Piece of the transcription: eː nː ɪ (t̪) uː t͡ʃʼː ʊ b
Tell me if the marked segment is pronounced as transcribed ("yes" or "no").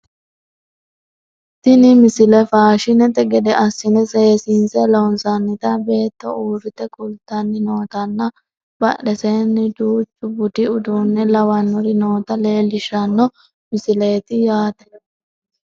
no